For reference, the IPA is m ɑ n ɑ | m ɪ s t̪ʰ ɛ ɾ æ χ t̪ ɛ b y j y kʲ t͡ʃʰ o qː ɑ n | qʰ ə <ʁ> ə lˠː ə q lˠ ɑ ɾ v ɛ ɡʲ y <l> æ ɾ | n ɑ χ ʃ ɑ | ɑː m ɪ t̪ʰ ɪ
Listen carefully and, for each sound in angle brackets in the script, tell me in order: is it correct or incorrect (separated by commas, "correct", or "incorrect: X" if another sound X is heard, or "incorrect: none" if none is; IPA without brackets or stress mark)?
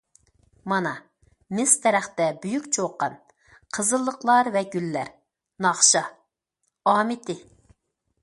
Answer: incorrect: z, incorrect: lː